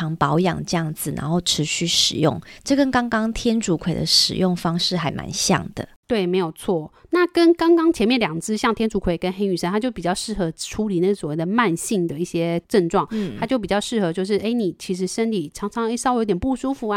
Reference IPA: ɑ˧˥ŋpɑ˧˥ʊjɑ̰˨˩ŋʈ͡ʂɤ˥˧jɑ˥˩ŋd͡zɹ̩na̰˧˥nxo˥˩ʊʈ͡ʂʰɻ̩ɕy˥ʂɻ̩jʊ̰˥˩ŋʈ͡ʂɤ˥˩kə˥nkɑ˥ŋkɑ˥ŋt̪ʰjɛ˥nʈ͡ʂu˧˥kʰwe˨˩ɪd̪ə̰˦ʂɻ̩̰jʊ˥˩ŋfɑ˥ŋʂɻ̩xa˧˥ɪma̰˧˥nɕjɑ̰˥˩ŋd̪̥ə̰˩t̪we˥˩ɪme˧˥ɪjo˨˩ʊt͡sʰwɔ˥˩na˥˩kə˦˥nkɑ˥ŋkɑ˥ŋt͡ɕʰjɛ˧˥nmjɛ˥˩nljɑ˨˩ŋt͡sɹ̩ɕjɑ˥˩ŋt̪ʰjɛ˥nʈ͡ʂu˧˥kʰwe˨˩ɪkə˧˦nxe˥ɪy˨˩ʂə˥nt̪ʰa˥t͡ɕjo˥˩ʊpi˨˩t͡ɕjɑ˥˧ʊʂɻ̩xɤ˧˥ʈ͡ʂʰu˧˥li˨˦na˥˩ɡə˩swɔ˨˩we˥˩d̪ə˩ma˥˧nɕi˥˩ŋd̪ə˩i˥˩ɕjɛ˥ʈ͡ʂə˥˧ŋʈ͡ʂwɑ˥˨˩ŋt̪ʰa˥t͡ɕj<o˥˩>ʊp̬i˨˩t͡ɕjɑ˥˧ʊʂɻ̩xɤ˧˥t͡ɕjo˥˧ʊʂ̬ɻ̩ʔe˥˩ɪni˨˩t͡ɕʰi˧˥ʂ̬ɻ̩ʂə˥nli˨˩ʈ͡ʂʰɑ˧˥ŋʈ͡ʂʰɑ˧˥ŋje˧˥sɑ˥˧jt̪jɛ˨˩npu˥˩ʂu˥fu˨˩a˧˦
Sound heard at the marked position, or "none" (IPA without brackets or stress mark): o˥˩